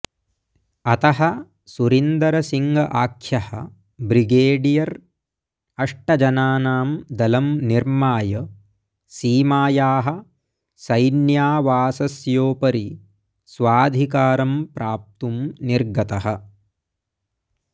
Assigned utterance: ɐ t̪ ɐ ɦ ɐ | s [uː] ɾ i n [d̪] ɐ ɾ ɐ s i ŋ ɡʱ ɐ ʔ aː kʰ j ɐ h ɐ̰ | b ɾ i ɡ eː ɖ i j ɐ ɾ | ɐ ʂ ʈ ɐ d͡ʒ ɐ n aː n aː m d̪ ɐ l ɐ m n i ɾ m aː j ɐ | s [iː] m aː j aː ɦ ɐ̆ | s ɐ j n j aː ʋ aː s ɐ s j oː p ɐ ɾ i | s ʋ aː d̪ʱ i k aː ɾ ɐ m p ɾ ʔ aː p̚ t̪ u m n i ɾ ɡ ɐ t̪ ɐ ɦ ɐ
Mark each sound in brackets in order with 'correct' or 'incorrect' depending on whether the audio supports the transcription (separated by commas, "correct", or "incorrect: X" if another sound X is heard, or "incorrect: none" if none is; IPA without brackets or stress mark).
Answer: incorrect: u, correct, correct